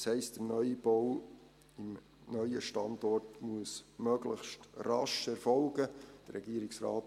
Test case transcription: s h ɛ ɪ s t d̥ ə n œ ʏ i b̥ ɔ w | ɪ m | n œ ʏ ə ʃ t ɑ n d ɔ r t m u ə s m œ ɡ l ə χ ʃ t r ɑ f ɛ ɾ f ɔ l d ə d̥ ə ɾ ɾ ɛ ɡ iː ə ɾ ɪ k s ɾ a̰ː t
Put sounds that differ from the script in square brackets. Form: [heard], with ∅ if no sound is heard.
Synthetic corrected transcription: s h ɛ ɪ s t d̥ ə n œ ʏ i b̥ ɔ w | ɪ m | n œ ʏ ə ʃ t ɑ n d ɔ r t m u ə s m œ ɡ l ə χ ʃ t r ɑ [ʃ] ɛ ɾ f ɔ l [ɡ] ə d̥ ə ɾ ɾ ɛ ɡ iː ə ɾ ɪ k s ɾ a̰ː t

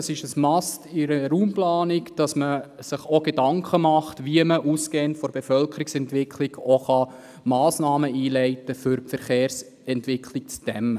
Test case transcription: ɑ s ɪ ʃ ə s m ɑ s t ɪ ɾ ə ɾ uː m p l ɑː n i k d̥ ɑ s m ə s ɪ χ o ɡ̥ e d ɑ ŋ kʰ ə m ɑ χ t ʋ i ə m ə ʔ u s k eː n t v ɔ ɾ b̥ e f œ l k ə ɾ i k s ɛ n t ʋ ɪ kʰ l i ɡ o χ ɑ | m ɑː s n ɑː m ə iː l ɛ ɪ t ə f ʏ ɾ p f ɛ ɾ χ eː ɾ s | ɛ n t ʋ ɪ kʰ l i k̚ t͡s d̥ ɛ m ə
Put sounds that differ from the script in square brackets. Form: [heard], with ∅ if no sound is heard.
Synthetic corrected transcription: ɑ s ɪ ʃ ə s m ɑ s t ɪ ɾ ə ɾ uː m p l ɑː n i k d̥ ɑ s m ə s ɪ χ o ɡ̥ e d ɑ ŋ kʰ ə m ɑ χ t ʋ i ə m ə ʔ u s k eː n t [f] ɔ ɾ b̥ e f œ l k ə ɾ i k s ɛ n t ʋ ɪ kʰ l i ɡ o χ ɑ | m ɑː s n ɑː m ə iː l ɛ ɪ t ə f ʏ ɾ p f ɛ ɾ χ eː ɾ s | ɛ n t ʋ ɪ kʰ l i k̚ t͡s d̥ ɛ m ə

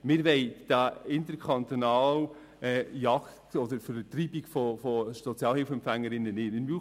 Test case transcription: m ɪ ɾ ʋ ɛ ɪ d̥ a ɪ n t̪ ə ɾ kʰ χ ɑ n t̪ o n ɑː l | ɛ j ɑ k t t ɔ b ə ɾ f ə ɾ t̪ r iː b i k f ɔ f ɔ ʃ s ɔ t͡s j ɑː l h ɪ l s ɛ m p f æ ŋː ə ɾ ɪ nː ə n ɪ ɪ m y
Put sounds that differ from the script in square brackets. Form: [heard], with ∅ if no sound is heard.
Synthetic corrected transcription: m ɪ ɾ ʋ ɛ ɪ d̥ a ɪ n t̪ ə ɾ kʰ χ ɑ n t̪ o n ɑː l | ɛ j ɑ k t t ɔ [d] ə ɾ f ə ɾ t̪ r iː b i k f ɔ f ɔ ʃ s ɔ t͡s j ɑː l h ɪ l [f] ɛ m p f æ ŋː ə ɾ ɪ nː ə n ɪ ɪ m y

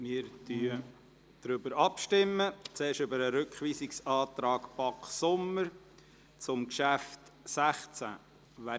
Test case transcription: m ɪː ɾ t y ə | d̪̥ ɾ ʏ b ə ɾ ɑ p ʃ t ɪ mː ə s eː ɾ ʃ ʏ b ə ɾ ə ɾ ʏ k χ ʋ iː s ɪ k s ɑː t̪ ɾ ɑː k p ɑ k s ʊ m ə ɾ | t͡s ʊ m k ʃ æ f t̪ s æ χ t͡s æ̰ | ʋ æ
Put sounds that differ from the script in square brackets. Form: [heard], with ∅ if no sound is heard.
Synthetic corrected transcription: m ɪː ɾ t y ə | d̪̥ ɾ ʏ b ə ɾ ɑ p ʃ t ɪ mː ə [t͡s] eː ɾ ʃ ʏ b ə ɾ ə ɾ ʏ k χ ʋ iː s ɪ k s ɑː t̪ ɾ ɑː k p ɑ k s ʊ m ə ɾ | t͡s ʊ m k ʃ æ f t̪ s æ χ t͡s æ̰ | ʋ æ

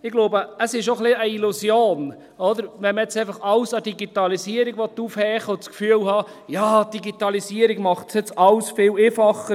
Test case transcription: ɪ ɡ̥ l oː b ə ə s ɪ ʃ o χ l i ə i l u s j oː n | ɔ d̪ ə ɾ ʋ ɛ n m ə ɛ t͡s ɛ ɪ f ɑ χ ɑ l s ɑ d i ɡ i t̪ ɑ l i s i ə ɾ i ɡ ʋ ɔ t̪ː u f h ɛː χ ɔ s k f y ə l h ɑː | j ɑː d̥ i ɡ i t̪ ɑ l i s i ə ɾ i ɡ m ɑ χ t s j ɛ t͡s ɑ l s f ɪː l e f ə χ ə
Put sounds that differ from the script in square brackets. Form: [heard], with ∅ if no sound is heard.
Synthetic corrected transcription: ɪ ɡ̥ l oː b ə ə s ɪ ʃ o χ l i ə i l u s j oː n | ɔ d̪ ə ɾ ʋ ɛ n m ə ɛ t͡s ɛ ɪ f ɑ χ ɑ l s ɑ d i ɡ i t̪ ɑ l i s i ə ɾ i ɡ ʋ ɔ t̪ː u f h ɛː χ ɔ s k f y ə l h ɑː | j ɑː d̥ i ɡ i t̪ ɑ l i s i ə ɾ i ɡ m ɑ χ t s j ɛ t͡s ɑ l s f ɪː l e f [ɑ] χ ə

